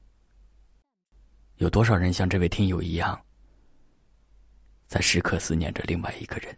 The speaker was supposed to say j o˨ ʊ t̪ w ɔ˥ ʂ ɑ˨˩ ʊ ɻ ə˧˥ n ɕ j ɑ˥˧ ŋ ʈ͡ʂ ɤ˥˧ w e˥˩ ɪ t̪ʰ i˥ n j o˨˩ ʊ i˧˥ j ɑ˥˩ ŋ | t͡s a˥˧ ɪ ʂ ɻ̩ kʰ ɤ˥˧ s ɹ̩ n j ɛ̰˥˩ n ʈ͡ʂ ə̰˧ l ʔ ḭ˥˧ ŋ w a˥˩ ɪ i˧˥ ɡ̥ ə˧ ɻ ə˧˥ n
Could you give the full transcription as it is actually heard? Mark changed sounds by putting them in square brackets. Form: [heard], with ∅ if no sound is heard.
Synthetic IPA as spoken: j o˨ ʊ t̪ w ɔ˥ ʂ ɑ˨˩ ʊ ɻ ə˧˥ n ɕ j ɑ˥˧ ŋ ʈ͡ʂ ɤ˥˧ w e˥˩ ɪ t̪ʰ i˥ [ŋ] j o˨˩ ʊ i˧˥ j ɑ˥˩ ŋ | t͡s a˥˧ ɪ ʂ ɻ̩ kʰ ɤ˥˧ s ɹ̩ n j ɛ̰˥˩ n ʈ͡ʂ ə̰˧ l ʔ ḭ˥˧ ŋ w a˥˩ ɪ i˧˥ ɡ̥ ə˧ ɻ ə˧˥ n